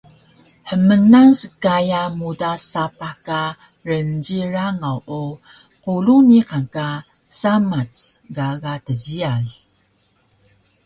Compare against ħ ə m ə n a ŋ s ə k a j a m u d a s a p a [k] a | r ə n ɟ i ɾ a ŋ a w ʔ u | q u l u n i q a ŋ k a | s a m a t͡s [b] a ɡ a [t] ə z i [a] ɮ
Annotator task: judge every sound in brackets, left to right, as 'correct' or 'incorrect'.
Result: correct, incorrect, correct, correct

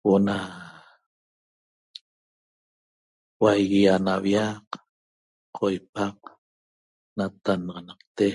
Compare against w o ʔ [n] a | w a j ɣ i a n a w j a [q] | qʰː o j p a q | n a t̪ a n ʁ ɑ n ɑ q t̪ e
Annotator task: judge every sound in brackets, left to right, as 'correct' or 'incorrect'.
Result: correct, correct

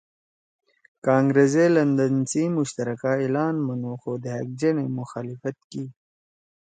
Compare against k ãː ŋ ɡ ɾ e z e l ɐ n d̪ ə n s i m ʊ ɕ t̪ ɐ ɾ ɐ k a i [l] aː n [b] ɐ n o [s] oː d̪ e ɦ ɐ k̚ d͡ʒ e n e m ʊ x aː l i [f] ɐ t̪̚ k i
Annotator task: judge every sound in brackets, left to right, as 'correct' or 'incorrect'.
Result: correct, incorrect, incorrect, correct

